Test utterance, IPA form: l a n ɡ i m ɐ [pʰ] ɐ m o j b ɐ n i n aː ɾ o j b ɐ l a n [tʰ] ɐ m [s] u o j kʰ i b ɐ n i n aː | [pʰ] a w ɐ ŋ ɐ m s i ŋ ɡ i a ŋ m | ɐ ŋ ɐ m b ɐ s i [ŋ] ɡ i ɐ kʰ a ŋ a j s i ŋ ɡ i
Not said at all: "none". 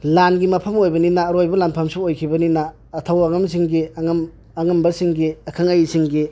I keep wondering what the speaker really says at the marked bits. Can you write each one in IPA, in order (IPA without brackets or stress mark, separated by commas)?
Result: pʰ, pʰ, s, tʰ, ŋ